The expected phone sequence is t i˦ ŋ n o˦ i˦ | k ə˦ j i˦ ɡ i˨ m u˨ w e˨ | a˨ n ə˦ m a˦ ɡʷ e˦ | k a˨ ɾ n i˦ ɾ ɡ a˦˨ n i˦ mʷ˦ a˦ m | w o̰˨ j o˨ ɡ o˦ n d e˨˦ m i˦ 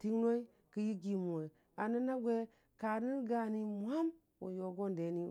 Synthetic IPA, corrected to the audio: t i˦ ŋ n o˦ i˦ | k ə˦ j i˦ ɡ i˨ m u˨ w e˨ | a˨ n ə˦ n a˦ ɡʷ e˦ | k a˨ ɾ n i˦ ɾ ɡ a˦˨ n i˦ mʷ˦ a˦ m | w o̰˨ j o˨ ɡ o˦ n d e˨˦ n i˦